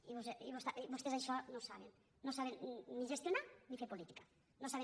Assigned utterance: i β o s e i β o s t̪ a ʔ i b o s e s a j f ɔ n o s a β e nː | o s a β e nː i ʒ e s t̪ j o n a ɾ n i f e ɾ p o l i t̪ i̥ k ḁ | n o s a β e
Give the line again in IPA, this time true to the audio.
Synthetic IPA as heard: i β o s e i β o s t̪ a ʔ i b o s e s a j ʃ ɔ n o s a β e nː | o s a β e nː i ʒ e s t̪ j o n a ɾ n i f e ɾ p o l i t̪ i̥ k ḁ | n o s a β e

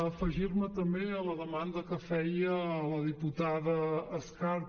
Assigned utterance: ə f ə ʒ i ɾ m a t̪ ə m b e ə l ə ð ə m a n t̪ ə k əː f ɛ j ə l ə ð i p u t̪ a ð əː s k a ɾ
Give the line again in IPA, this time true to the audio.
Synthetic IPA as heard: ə f ə ʒ i ɾ m ə t̪ ə m b e ə l ə ð ə m a n d̪ ə k ə f ɛ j ə l ə ð i p u t̪ a ð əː s k a ɾ

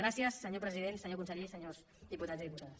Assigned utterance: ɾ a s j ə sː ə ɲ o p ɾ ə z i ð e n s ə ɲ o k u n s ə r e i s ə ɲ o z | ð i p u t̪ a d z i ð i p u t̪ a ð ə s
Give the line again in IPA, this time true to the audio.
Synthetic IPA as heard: ɾ a s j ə sː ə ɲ o p ɾ ə z i ð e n s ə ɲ o k u n s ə ʎ e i s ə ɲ o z | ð i p u t̪ a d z i ð i p u t̪ a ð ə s

